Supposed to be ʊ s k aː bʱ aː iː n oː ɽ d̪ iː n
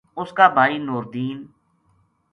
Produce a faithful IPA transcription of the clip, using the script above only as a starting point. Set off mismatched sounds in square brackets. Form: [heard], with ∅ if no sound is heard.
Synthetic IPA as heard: ʊ s k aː bʱ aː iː n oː [ɾ] d̪ iː n

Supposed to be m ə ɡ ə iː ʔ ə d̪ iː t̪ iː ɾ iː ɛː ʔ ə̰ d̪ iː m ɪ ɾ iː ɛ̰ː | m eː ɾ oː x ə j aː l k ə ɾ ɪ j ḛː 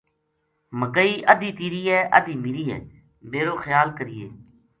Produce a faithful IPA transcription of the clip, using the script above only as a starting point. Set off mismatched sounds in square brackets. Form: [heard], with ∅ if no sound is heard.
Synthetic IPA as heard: m ə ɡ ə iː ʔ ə d̪ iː t̪ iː ɾ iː ɛː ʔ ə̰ d̪ iː m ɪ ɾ iː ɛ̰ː | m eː ɾ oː x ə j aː l k ə ɾ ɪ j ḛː

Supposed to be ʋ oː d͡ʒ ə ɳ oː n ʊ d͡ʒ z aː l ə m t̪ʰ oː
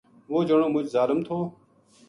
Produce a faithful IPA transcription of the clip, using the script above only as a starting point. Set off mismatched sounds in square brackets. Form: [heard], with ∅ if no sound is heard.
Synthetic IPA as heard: ʋ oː d͡ʒ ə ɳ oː [m] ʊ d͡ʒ z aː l ə m t̪ʰ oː

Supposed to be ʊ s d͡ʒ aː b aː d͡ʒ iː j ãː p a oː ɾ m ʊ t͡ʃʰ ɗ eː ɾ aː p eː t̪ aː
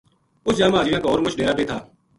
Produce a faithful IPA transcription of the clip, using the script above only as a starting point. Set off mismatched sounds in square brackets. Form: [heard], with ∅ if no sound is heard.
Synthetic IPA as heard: ʊ s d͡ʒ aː [m] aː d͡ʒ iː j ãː [k] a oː ɾ m ʊ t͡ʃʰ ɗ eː ɾ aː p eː [t̪ʰ] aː

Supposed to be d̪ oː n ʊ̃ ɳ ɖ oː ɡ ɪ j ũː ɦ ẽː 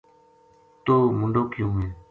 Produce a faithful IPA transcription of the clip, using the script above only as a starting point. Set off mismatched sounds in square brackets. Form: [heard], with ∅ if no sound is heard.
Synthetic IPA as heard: [t̪] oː [m] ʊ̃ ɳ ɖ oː [k] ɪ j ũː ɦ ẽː

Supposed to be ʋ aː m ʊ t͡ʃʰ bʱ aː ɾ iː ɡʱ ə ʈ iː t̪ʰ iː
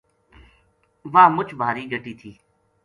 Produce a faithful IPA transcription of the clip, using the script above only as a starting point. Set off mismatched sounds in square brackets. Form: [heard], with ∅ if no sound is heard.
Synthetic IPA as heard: ʋ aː m ʊ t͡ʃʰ bʱ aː ɾ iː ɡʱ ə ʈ iː t̪ʰ iː

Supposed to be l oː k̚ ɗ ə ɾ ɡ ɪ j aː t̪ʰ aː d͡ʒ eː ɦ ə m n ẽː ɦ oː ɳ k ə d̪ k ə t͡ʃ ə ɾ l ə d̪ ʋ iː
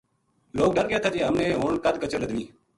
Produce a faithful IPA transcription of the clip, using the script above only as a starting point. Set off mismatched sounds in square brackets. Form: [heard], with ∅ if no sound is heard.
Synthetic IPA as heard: l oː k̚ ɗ ə ɾ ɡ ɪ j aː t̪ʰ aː d͡ʒ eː ɦ ə m n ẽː ɦ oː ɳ k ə d̪ k ə t͡ʃ ə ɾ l ə d̪ ʋ iː

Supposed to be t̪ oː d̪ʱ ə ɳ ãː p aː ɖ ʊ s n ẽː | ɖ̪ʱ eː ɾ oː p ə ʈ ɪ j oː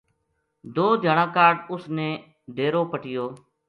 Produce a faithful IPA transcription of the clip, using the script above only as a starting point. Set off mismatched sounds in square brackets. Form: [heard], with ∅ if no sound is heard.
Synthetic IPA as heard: [d̪] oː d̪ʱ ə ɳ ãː [k] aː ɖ ʊ s n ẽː | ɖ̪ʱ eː ɾ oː p ə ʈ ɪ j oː

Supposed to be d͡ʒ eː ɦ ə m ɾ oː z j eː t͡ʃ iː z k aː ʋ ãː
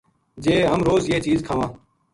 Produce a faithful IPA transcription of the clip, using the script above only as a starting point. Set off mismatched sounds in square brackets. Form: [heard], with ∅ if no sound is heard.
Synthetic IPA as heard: d͡ʒ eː ɦ ə m ɾ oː z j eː t͡ʃ iː z [kʰ] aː ʋ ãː

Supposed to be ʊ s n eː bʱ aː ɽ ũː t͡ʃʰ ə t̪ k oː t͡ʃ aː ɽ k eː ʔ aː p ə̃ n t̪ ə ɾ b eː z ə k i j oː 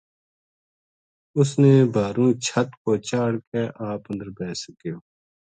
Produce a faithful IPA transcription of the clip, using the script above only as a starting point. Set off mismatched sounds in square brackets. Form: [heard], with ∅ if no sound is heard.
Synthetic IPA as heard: ʊ s n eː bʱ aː [ɾ] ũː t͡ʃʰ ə t̪ k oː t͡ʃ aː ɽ k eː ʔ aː p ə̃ n [d̪] ə ɾ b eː [s] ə k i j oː

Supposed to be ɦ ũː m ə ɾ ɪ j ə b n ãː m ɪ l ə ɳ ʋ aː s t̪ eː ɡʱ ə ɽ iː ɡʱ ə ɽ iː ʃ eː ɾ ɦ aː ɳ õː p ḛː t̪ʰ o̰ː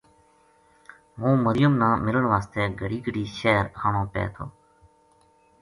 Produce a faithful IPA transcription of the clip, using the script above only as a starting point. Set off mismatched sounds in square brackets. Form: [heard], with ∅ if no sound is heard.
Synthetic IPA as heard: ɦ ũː m ə ɾ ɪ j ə [m] n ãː m ɪ l ə ɳ ʋ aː s t̪ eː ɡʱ ə ɽ iː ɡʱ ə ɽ iː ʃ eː ɾ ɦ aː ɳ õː p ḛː t̪ʰ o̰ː

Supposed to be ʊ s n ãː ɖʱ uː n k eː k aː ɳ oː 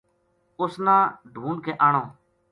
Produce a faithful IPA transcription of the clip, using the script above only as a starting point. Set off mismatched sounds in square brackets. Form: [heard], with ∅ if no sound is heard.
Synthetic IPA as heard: ʊ s n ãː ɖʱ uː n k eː [ʔ] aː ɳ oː

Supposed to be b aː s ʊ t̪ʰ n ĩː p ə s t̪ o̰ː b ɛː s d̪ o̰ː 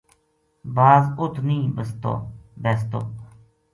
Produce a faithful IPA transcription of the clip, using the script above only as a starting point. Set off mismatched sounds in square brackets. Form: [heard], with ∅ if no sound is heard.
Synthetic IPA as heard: b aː [z] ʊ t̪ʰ n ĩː [b] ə s t̪ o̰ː b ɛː s [t̪] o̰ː

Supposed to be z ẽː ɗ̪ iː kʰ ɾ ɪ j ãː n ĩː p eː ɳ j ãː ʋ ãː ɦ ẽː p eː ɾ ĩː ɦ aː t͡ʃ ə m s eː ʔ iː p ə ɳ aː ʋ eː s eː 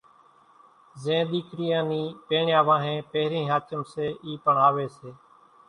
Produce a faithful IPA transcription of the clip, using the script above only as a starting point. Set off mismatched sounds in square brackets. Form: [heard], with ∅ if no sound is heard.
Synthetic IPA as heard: z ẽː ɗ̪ iː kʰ ɾ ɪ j ãː n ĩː p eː ɳ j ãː ʋ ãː ɦ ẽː p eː ɾ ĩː ɦ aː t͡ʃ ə m s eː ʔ iː p ə ɳ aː ʋ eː s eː

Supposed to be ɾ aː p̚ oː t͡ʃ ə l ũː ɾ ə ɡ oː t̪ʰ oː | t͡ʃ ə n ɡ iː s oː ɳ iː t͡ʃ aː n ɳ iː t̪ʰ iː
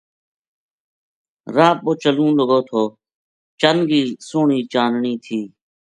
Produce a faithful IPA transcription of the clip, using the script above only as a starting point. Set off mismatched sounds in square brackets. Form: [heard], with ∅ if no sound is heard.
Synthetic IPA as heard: ɾ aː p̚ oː t͡ʃ ə l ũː [l] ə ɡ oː t̪ʰ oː | t͡ʃ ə n ɡ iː s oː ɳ iː t͡ʃ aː n ɳ iː t̪ʰ iː

